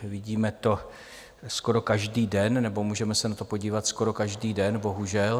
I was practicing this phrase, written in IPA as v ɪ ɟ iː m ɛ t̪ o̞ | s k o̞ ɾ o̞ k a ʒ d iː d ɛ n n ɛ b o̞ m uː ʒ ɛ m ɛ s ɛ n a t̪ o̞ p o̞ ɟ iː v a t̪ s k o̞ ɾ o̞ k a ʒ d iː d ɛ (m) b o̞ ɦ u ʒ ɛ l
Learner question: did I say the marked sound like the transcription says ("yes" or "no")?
no